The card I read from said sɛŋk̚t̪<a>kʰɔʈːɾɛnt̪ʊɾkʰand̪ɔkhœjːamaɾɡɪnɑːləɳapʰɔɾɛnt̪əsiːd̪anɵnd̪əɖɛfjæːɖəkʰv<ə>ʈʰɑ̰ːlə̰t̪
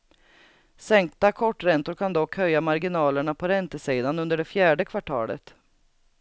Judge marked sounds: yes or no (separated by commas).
yes, no